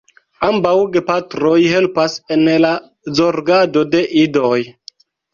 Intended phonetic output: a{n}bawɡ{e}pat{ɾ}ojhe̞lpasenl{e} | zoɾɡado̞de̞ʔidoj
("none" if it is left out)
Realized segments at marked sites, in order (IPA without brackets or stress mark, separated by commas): m, e, ɾ, a